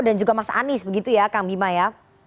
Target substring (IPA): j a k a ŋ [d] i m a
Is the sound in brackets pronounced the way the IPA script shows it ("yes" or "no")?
no